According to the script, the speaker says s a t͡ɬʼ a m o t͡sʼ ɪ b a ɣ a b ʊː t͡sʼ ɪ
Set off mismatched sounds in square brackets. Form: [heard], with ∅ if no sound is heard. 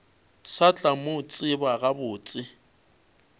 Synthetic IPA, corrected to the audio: s a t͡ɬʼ a m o t͡sʼ ɪ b a ɣ a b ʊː t͡sʼ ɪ